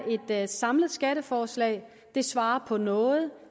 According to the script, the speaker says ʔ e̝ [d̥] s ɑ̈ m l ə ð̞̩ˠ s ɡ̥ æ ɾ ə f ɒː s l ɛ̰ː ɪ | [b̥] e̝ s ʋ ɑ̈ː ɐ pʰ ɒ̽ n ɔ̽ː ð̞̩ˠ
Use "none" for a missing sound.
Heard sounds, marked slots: d̥, d̥

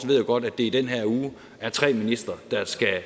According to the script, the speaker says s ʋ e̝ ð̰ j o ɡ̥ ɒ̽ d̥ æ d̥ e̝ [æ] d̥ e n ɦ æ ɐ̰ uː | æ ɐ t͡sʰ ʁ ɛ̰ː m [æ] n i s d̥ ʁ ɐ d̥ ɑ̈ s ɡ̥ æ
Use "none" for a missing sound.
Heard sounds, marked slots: i, i

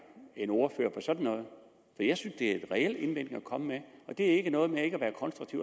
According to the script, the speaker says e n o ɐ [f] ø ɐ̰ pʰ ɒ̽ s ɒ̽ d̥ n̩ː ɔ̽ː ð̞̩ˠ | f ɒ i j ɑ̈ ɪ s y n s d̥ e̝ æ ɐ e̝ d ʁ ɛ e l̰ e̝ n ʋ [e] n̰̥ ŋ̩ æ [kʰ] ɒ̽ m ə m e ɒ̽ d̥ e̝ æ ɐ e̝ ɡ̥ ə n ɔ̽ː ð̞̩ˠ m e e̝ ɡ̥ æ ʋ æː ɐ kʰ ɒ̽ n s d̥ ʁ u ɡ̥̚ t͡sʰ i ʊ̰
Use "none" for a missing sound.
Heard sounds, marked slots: f, e, kʰ

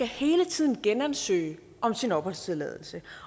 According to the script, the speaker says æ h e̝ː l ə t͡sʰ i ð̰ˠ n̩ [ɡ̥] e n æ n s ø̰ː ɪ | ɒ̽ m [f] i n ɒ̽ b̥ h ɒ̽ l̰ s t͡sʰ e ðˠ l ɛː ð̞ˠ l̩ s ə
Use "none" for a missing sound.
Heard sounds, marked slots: ɡ̥, s

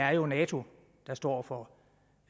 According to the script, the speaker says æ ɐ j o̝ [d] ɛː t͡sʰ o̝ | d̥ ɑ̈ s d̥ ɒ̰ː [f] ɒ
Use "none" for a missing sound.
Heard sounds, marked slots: n, f

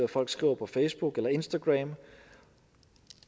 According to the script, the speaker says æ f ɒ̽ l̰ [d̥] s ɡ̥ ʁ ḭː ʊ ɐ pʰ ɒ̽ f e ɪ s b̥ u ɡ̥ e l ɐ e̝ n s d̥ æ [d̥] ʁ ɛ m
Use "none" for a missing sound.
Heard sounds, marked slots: ɡ̥, ɡ̥

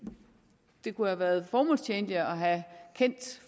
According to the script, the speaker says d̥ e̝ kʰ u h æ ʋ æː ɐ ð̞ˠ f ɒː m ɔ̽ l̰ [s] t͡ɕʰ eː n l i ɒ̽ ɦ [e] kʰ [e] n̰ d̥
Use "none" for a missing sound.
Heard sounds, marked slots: s, æ, e

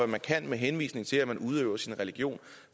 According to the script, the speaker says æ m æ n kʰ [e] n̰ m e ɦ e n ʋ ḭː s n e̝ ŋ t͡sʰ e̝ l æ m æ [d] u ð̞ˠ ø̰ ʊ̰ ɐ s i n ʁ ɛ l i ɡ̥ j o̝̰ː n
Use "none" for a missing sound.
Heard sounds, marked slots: æ, n

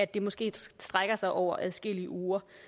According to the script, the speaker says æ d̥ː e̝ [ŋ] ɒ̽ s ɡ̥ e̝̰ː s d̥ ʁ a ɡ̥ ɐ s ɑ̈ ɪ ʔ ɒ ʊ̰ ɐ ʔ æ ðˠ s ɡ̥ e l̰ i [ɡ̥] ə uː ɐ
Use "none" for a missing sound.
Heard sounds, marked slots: m, none

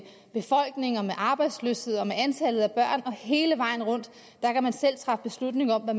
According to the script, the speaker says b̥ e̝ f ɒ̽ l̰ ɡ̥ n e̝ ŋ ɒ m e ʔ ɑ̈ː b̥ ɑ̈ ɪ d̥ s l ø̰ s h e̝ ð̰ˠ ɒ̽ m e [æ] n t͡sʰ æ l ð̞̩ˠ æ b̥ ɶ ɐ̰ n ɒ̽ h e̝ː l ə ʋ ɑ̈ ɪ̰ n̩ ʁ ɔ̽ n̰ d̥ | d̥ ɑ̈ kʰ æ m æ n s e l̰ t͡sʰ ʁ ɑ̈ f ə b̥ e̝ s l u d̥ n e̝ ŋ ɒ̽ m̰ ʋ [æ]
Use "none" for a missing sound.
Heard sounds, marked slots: æ, æ

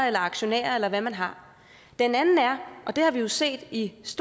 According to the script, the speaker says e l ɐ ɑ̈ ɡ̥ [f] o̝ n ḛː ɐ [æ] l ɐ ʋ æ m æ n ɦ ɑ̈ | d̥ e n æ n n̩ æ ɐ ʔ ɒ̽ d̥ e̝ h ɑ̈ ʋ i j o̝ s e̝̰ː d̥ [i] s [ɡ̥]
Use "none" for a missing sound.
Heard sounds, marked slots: ɕ, e, i, d̥

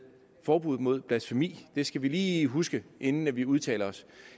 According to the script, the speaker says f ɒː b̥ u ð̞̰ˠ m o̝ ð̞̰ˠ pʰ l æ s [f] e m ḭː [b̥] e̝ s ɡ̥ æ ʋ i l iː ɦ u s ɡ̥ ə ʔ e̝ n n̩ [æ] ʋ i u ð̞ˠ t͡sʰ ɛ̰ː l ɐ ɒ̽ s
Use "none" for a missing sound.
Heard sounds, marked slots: f, d̥, æ

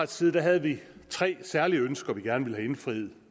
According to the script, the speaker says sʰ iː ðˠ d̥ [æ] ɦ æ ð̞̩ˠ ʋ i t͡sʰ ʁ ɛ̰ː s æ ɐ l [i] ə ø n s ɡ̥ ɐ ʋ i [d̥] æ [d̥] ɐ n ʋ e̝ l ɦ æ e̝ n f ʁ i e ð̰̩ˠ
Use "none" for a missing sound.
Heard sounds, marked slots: æ, i, ɡ̥, none

